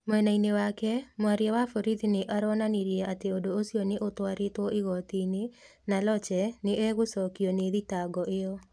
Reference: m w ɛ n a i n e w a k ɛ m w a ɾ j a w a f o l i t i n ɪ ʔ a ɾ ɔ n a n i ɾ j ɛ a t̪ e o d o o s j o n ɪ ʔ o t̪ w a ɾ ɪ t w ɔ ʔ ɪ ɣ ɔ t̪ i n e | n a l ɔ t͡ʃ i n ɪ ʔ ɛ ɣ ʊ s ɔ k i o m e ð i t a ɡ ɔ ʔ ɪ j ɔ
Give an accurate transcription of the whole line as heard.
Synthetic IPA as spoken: m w ɛ n a i n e w a k ɛ m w a ɾ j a w a f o ɾ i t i n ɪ ʔ a ɾ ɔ n a n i ɾ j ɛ a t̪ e o d o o s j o n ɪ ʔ o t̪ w a ɾ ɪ t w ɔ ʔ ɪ ɣ ɔ t̪ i n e | n a l ɔ t͡ʃ ɛ n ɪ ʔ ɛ ɣ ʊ s ɔ k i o n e ð i t a ɡ ɔ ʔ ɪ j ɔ